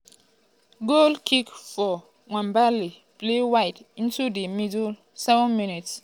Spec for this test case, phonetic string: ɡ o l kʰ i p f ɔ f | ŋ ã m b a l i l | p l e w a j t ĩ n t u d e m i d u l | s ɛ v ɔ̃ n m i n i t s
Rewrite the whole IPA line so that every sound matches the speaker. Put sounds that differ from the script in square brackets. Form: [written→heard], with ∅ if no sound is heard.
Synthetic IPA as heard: ɡ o l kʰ i [p→k] f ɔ [f→∅] | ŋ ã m b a l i [l→∅] | p l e w a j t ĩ n t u d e m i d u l | s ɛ v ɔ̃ n m i n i t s